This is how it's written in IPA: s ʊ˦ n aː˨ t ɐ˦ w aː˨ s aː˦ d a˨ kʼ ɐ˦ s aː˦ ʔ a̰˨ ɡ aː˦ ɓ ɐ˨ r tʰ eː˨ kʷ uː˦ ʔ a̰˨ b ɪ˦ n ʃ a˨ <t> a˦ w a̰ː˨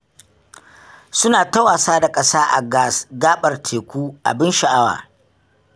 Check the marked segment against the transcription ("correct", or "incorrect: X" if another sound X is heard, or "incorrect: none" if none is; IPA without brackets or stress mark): incorrect: ʔ